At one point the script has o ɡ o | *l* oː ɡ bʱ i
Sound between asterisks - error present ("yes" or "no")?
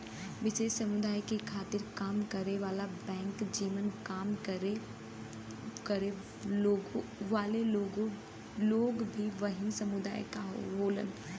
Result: no